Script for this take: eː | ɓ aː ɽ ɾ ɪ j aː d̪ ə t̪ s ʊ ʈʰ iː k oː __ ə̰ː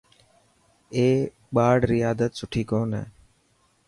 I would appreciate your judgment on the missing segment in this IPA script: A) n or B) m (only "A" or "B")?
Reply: A